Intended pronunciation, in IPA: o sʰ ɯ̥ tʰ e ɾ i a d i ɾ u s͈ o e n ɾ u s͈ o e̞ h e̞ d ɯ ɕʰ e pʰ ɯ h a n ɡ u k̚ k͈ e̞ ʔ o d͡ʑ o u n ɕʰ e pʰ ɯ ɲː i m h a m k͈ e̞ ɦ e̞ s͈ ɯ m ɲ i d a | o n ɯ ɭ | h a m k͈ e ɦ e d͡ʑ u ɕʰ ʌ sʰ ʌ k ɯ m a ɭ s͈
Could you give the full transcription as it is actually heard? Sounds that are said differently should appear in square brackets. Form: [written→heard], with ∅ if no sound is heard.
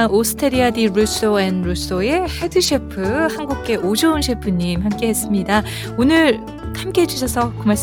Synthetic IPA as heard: o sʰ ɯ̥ tʰ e ɾ i a d i ɾ u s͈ o e n ɾ u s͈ o e̞ h e̞ d ɯ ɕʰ e pʰ ɯ h a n ɡ u k̚ k͈ e̞ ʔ o d͡ʑ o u n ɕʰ e pʰ ɯ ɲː i m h a m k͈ e̞ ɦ e̞ s͈ ɯ m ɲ i d a | o n ɯ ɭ | h a m k͈ e ɦ e d͡ʑ u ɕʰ ʌ sʰ ʌ k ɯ m a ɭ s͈